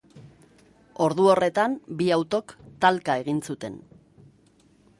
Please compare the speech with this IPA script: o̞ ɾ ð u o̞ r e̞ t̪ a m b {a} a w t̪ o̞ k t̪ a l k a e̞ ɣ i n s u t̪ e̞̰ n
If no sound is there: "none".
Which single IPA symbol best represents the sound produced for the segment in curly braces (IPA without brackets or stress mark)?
i